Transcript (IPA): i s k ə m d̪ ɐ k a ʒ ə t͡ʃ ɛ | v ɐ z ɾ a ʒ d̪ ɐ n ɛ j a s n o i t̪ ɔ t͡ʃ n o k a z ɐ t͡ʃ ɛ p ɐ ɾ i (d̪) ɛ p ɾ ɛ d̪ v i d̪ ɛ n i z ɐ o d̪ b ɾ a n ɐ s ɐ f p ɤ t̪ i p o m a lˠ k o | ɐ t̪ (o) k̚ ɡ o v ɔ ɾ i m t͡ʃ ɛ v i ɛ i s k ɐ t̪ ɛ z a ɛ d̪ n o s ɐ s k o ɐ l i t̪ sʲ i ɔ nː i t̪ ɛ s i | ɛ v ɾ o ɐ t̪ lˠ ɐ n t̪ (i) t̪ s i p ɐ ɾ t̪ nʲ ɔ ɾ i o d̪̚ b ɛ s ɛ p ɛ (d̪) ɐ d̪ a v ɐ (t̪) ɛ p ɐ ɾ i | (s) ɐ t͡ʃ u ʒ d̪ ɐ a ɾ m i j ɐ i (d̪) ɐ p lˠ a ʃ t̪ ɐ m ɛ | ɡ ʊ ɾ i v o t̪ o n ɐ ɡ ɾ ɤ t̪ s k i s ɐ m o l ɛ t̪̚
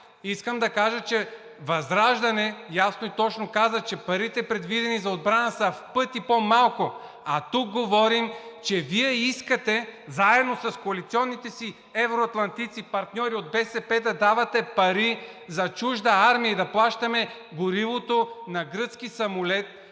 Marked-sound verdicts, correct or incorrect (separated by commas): incorrect, incorrect, correct, correct, correct, incorrect, correct